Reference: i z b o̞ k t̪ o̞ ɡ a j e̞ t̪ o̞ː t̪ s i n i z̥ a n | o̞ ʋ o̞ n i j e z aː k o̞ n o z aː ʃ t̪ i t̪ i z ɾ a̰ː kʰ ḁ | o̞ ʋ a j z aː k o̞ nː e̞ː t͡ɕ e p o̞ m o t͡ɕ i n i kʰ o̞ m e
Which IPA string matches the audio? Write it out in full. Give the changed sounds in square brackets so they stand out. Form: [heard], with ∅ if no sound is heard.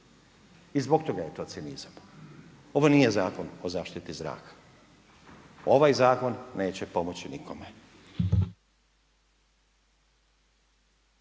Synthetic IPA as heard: i z b o̞ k t̪ o̞ ɡ a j e̞ t̪ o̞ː t̪ s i n i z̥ a [m] | o̞ ʋ o̞ n i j e z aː k o̞ n o z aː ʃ t̪ i t̪ i z ɾ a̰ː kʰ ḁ | o̞ ʋ a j z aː k o̞ nː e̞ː t͡ɕ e p o̞ m o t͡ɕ i n i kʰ o̞ m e